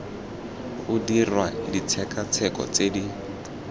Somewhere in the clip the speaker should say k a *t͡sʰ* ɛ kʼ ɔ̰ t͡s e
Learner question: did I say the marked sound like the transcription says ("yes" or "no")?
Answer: yes